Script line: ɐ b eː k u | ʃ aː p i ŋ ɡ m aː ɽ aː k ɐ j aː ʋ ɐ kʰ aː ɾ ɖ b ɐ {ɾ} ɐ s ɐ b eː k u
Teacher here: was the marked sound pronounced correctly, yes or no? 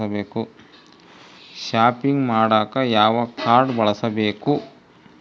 no